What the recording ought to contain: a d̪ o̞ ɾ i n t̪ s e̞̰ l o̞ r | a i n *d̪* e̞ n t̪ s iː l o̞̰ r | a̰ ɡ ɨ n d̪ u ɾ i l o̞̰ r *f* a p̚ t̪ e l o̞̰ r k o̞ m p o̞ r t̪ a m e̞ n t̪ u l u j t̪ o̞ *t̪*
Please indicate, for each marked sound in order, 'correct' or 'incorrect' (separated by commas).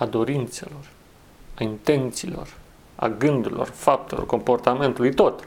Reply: incorrect, correct, correct